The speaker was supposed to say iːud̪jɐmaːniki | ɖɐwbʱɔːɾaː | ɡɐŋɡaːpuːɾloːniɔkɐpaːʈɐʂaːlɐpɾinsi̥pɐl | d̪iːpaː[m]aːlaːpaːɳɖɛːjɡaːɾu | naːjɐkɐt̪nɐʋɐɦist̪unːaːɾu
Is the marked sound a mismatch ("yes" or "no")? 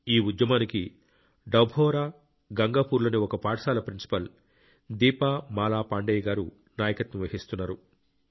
no